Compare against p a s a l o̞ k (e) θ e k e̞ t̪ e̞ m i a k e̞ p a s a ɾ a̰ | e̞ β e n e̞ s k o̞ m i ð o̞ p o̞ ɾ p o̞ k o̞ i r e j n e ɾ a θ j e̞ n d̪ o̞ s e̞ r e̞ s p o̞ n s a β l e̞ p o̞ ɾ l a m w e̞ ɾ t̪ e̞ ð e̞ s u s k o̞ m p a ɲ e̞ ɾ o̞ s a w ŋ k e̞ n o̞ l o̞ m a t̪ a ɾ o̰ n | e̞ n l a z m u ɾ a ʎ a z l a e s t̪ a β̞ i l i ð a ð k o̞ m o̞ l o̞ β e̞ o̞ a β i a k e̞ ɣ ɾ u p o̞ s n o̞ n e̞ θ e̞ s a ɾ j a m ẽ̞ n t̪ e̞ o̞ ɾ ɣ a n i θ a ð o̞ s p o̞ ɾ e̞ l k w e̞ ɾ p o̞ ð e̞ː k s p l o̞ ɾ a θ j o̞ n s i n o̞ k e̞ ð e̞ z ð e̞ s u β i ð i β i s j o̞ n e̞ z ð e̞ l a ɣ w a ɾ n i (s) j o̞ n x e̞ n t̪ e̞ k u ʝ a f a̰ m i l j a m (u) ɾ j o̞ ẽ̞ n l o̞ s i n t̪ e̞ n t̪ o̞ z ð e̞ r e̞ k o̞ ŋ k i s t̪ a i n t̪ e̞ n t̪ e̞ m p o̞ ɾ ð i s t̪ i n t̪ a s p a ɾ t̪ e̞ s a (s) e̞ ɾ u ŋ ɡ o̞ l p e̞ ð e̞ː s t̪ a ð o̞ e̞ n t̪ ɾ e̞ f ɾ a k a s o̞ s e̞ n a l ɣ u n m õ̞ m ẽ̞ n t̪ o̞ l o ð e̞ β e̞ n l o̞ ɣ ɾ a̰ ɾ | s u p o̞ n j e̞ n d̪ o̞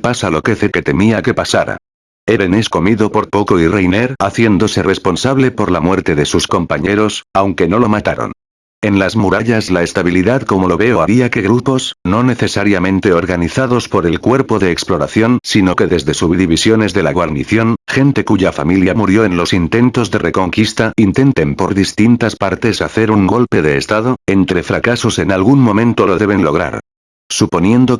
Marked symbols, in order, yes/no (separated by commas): yes, no, yes, no